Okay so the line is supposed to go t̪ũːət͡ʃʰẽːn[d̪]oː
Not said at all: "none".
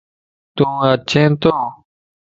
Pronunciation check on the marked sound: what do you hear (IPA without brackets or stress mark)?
t̪